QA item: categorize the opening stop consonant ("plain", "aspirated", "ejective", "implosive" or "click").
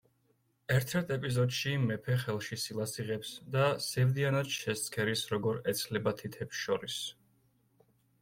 aspirated